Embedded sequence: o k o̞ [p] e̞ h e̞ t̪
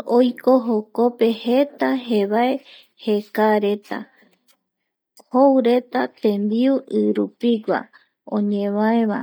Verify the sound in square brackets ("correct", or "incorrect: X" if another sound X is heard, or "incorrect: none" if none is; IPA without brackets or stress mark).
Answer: correct